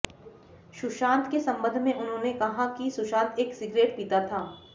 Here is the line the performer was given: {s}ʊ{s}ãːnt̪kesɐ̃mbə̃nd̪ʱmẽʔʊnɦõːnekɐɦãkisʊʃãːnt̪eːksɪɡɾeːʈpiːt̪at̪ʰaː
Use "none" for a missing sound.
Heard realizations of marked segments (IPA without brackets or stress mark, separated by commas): ʃ, ʃ